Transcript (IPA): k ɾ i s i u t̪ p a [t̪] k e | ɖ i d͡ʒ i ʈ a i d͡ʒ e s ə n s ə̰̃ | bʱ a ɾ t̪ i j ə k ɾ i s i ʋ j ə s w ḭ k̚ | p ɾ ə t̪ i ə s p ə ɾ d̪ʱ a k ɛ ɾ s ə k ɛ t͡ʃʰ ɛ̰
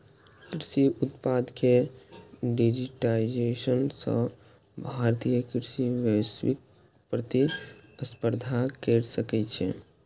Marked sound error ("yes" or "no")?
yes